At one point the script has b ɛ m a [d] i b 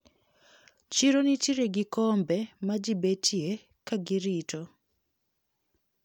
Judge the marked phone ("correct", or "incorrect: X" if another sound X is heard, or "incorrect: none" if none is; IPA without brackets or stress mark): incorrect: d͡ʒ